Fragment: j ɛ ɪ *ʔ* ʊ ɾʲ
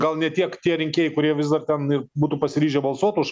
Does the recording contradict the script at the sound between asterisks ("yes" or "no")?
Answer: yes